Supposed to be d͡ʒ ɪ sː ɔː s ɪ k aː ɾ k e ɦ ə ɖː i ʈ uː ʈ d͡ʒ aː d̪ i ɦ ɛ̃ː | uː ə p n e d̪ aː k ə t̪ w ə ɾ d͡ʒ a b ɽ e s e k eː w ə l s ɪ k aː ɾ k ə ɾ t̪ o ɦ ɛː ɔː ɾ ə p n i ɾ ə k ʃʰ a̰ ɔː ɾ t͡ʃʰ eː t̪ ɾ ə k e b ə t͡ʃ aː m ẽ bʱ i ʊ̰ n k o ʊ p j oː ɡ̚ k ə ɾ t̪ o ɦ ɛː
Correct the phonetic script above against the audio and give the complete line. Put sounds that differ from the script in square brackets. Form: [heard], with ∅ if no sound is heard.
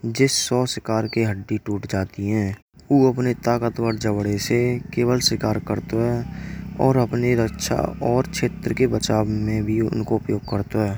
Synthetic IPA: d͡ʒ ɪ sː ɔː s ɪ k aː ɾ k e ɦ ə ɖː i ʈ uː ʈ d͡ʒ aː [t̪] i ɦ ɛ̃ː | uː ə p n e [t̪] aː k ə t̪ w ə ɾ d͡ʒ [ə] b ɽ e s e k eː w ə l s ɪ k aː ɾ k ə ɾ t̪ o ɦ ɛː ɔː ɾ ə p n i ɾ ə k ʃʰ a̰ ɔː ɾ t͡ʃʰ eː t̪ ɾ ə k e b ə t͡ʃ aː m ẽ bʱ i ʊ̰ n k o ʊ p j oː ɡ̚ k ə ɾ t̪ o ɦ ɛː